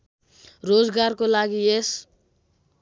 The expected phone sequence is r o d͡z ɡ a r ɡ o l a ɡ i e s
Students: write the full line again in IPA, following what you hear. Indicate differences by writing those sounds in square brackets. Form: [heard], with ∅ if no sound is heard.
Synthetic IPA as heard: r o d͡z ɡ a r [k] o l a ɡ i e s